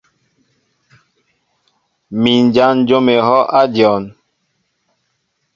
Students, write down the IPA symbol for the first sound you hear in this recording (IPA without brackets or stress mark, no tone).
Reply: m